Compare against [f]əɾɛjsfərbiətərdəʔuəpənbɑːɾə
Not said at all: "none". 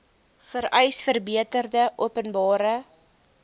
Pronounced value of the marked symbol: f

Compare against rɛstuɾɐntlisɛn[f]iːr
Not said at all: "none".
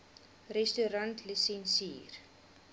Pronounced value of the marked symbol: s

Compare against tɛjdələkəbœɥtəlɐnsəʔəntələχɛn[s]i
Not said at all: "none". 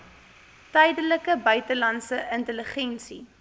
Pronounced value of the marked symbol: s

